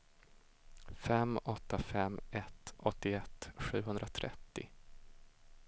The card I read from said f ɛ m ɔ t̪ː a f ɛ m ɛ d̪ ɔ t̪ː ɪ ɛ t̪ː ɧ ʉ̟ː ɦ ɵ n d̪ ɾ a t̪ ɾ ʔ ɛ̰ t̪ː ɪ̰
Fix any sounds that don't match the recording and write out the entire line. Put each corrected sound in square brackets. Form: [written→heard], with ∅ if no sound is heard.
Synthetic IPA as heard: f ɛ m ɔ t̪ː a f ɛ m ɛ [d̪→t̪] ɔ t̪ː ɪ ɛ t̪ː ɧ ʉ̟ː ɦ ɵ n d̪ ɾ a [t̪→t̪ʰ] ɾ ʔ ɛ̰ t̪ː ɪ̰